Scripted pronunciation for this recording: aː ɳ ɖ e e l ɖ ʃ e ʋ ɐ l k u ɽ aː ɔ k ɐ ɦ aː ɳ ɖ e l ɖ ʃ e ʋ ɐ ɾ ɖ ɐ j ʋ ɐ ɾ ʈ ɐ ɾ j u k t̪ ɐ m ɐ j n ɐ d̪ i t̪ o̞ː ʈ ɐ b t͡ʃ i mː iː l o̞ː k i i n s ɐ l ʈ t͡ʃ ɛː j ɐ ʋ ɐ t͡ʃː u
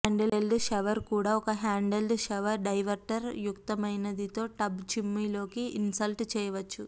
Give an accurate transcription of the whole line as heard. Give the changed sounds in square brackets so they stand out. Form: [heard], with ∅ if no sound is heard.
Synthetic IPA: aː ɳ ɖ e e l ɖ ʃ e ʋ ɐ [ɾ] k [uː] ɽ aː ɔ k ɐ ɦ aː ɳ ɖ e l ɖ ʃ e ʋ ɐ ɾ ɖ ɐ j ʋ ɐ ɾ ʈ ɐ ɾ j u k t̪ ɐ m ɐ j n ɐ d̪ i t̪ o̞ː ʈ ɐ b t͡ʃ i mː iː l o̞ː k i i n s ɐ l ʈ t͡ʃ ɛː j ɐ ʋ ɐ t͡ʃː u